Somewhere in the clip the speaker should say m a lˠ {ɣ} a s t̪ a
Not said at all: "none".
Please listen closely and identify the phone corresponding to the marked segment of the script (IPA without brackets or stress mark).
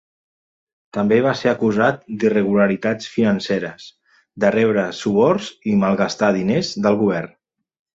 ɣ